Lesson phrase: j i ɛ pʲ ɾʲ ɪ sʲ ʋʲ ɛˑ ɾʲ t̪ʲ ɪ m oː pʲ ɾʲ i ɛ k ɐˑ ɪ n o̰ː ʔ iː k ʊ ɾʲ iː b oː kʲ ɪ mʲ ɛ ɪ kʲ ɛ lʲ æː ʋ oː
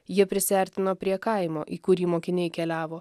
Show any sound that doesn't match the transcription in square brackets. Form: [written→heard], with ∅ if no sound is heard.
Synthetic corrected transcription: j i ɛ pʲ ɾʲ ɪ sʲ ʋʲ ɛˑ ɾʲ t̪ʲ ɪ [m→n] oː pʲ ɾʲ i ɛ k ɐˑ ɪ [n→m] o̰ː ʔ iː k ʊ ɾʲ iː [b→m] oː kʲ ɪ [mʲ→nʲ] ɛ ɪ kʲ ɛ lʲ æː ʋ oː